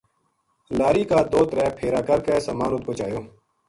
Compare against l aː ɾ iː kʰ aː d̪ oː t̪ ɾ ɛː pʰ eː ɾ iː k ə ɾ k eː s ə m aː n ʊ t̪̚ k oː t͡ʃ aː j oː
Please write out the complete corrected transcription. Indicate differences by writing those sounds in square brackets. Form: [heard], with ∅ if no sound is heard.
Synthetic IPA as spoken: l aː ɾ iː [k] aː d̪ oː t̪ ɾ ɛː pʰ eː ɾ [aː] k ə ɾ k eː s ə m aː n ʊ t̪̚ k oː t͡ʃ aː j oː